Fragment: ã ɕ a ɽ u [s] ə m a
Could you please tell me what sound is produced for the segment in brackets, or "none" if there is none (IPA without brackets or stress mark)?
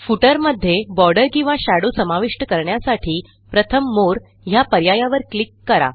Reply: s